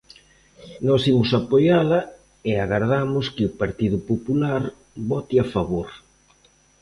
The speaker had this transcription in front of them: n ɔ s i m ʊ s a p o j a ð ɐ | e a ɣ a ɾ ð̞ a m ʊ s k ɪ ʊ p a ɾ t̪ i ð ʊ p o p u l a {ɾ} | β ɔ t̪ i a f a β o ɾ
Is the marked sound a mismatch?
no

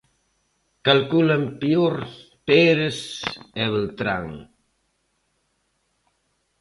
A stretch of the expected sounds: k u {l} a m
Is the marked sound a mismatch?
no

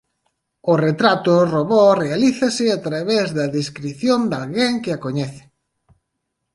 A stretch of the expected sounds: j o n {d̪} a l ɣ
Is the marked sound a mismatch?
no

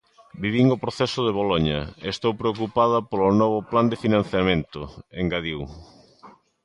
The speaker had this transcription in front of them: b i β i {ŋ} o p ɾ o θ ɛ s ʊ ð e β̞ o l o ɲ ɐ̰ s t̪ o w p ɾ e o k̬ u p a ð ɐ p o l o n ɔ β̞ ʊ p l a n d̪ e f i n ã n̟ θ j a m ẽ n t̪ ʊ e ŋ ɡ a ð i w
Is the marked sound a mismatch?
no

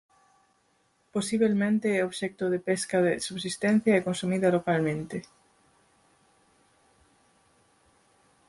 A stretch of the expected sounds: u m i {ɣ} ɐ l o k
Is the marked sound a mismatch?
yes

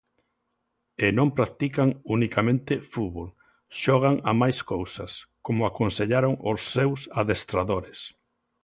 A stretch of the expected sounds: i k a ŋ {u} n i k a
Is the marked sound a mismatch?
no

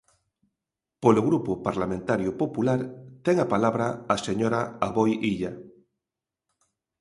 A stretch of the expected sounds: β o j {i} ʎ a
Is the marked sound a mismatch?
no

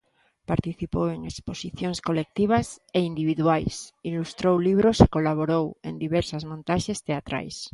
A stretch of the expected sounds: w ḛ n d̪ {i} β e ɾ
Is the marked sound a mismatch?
no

